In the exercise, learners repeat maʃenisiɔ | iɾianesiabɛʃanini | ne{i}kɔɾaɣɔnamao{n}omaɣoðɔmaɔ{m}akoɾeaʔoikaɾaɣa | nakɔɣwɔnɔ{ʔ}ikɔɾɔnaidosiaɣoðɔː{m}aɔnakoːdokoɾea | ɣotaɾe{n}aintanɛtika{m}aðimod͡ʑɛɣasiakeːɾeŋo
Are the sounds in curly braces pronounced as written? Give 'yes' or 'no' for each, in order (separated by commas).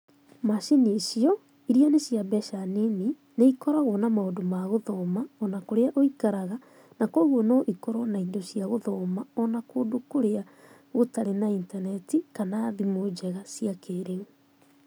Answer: yes, no, no, yes, yes, yes, no